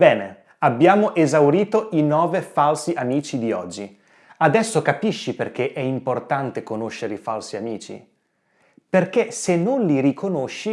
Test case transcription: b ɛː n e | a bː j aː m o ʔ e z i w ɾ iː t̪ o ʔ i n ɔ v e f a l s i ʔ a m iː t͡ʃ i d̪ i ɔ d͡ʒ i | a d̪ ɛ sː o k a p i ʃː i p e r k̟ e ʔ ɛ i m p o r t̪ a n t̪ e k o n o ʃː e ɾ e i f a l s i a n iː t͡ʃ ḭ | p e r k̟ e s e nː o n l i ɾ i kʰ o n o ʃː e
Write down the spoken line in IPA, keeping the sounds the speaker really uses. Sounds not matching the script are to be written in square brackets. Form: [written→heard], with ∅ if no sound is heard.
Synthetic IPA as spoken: b ɛː n e | a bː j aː m o ʔ e z [i→a] w ɾ iː t̪ o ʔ i n [ɔ→ɔː] v e f a l s i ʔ a m iː t͡ʃ i d̪ i ɔ [d͡ʒ→d͡ʒː] i | a d̪ ɛ sː o k a p i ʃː i p e r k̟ e ʔ ɛ i m p o r t̪ a n t̪ e k o n o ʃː e ɾ e i f a l s i a [n→m] iː t͡ʃ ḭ | p e r k̟ e s e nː o n l i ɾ i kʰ o n o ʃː [e→i]